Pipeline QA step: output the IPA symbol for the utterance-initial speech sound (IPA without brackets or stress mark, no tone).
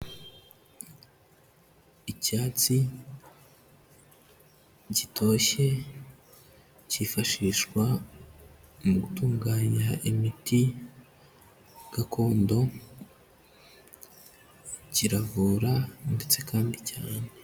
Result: c